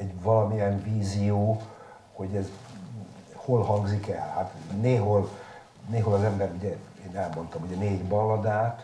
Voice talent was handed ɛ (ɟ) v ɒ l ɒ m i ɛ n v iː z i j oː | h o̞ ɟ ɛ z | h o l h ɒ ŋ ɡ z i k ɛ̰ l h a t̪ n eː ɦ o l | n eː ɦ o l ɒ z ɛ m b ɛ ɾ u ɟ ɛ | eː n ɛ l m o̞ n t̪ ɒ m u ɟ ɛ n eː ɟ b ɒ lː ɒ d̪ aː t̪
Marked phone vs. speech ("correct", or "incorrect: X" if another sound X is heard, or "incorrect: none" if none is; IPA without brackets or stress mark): correct